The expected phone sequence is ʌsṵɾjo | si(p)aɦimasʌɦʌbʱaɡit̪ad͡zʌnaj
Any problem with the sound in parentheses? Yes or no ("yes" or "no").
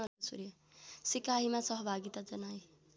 yes